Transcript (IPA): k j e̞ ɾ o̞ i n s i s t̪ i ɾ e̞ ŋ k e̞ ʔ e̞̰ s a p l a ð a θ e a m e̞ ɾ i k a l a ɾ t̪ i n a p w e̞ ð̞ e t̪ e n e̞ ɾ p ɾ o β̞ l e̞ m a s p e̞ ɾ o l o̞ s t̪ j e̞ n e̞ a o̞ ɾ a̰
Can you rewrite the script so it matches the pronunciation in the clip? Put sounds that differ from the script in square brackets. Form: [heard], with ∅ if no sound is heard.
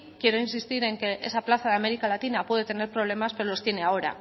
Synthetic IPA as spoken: k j e̞ ɾ o̞ i n s i s t̪ i ɾ e̞ ŋ k e̞ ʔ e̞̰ s a p l a [θ] a [ð] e a m e̞ ɾ i k a l a [∅] t̪ i n a p w e̞ ð̞ e t̪ e n e̞ ɾ p ɾ o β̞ l e̞ m a s p e̞ ɾ o l o̞ s t̪ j e̞ n e̞ a o̞ ɾ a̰